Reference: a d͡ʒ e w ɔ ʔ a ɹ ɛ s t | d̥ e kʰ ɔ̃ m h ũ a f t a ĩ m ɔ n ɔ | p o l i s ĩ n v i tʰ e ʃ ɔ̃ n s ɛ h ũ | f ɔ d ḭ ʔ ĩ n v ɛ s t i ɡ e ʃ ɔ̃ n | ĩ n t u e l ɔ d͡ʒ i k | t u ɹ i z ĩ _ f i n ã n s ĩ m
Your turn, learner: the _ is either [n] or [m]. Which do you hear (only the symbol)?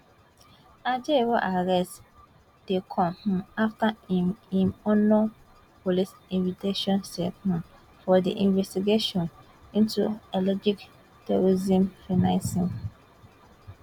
m